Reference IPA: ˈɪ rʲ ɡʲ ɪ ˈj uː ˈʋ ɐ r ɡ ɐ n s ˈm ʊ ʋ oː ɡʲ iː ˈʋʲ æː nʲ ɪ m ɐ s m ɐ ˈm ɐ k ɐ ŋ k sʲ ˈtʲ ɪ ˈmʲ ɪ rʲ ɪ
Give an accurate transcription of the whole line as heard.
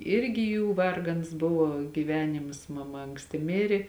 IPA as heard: ˈɪ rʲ ɡʲ ɪ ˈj uː ˈʋ ɐ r ɡ ɐ n s ˈb ʊ ʋ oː ɡʲ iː ˈʋʲ æː nʲ ɪ m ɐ s m ɐ ˈm ɐ ɐ ŋ k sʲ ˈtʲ ɪ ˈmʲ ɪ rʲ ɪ